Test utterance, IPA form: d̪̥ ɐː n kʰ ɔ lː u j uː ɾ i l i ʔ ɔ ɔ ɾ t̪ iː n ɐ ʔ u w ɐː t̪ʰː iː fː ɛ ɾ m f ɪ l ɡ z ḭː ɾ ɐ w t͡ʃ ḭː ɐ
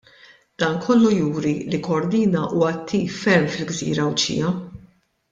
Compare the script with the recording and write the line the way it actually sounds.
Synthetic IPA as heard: d̪̥ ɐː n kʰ ɔ lː u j uː ɾ i l i k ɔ ɔ ɾ d̪ iː n ɐ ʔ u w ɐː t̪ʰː iː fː ɛ ɾ m f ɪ l ɡ z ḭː ɾ ɐ w t͡ʃ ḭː ɐ